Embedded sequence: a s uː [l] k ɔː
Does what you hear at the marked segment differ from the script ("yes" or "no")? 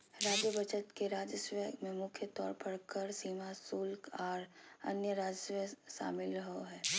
no